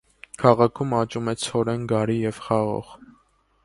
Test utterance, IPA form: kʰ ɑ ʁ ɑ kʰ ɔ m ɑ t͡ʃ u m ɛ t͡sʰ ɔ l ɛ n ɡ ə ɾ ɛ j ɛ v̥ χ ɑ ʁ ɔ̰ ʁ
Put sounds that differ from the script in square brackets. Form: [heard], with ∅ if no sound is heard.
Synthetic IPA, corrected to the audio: kʰ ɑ ʁ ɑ kʰ [u] m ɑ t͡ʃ u m ɛ t͡sʰ ɔ [ɾ] ɛ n ɡ [ɑ] ɾ [i] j ɛ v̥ χ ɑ ʁ ɔ̰ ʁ